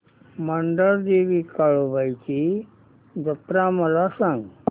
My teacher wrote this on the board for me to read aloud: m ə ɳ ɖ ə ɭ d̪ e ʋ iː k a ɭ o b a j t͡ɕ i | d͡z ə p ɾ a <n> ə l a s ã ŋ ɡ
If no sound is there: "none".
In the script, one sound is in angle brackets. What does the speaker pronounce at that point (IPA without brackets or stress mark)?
m